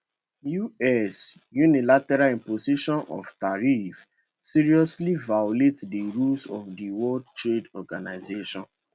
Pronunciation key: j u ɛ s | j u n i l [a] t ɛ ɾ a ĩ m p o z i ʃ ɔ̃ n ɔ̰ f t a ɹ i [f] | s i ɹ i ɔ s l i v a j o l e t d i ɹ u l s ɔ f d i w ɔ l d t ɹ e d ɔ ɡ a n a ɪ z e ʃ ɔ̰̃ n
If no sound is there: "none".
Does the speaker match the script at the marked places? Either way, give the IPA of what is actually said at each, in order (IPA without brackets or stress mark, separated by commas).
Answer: a, f